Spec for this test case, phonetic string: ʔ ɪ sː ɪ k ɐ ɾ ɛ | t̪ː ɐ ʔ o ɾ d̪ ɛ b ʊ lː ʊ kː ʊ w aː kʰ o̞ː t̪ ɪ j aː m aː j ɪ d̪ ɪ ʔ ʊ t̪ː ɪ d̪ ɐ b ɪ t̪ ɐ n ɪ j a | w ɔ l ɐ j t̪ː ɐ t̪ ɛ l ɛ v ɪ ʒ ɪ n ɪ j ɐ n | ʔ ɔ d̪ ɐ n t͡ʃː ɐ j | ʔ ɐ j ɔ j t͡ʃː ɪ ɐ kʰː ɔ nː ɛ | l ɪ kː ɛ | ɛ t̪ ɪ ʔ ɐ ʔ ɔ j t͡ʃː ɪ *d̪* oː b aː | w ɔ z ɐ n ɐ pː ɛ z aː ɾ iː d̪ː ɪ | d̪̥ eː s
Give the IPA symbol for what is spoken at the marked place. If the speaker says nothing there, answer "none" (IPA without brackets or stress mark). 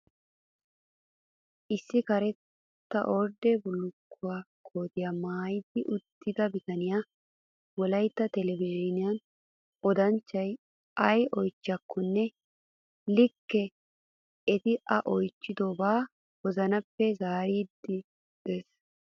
d̪